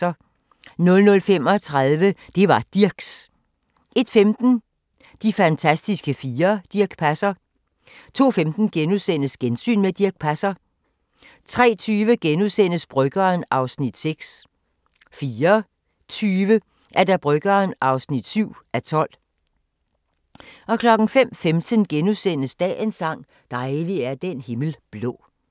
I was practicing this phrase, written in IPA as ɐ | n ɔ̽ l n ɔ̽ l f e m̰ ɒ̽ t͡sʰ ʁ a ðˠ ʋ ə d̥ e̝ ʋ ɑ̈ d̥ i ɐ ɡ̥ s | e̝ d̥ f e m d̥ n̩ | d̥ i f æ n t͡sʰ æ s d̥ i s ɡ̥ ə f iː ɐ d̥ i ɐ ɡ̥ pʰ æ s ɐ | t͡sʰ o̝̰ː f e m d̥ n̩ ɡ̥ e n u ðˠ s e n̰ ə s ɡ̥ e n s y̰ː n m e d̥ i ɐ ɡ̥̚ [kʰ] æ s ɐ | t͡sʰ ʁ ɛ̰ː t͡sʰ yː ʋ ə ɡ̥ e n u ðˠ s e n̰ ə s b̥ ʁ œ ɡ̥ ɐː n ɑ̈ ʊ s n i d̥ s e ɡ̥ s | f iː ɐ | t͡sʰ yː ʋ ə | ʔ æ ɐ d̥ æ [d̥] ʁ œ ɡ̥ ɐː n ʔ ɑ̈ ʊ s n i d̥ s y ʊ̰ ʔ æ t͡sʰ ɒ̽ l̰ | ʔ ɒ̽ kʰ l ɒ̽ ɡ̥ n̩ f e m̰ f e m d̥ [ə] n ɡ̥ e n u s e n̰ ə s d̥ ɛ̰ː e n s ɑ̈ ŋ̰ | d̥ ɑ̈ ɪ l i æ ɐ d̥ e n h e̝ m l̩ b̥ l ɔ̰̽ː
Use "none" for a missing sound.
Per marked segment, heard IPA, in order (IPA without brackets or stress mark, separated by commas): pʰ, b̥, ə